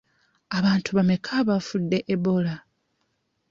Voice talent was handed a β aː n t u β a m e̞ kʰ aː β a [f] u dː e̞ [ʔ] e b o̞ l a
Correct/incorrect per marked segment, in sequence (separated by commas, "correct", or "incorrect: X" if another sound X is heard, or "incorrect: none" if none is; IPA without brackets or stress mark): correct, correct